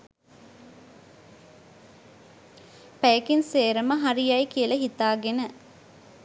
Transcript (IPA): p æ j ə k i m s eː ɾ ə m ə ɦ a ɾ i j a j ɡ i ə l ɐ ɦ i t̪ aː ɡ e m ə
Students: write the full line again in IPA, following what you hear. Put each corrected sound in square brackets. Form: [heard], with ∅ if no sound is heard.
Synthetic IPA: p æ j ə k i [n] s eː ɾ ə m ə ɦ a ɾ i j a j [k] i ə l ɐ ɦ i t̪ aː ɡ e [n] ə